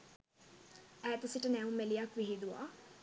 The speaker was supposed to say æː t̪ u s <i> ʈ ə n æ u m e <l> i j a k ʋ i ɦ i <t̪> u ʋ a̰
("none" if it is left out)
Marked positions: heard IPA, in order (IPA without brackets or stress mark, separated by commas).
i, l, d̪